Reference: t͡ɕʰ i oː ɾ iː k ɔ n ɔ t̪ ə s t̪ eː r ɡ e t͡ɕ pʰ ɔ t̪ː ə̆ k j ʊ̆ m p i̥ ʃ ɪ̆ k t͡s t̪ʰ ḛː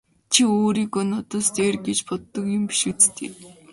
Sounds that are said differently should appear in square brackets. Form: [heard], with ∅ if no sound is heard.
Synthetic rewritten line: t͡ɕʰ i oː ɾ iː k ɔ n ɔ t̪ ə s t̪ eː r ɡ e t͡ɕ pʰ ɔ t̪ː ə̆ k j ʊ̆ m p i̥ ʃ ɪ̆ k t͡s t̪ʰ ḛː